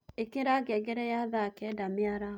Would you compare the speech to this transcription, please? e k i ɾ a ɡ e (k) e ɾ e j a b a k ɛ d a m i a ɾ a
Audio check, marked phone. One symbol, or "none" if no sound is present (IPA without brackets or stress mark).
ɡ